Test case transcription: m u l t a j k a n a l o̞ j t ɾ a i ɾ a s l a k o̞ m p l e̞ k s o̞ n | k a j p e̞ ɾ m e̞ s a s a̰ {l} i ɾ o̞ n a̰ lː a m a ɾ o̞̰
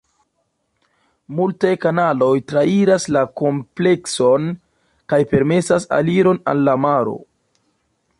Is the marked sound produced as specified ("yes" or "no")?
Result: yes